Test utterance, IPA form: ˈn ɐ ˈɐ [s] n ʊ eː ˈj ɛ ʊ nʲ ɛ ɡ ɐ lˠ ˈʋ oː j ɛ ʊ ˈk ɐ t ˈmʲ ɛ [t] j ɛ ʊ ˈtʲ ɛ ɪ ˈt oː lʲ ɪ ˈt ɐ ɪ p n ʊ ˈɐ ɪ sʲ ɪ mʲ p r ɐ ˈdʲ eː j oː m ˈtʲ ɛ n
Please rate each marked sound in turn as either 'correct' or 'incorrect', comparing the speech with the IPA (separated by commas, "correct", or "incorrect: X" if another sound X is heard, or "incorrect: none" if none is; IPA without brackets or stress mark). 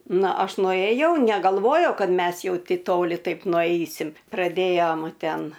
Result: incorrect: ʃ, incorrect: s